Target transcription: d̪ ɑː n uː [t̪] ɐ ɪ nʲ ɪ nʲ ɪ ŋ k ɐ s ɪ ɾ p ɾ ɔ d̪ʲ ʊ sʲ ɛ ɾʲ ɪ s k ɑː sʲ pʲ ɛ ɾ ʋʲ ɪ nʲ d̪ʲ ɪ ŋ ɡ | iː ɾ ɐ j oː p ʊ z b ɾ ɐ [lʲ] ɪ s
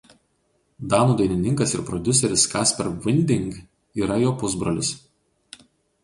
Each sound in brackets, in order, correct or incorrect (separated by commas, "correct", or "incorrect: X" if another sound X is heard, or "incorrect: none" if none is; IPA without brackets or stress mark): incorrect: d̪, correct